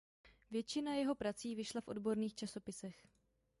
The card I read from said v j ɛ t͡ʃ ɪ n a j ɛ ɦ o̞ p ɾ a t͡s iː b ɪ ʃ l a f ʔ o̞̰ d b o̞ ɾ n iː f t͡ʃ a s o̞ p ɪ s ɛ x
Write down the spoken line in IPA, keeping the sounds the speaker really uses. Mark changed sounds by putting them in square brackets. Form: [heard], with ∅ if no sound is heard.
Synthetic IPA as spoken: v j ɛ t͡ʃ ɪ n a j ɛ ɦ o̞ p ɾ a t͡s iː [v] ɪ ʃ l a f ʔ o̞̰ d b o̞ ɾ n iː [x] t͡ʃ a s o̞ p ɪ s ɛ x